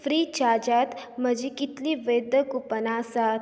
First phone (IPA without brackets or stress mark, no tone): f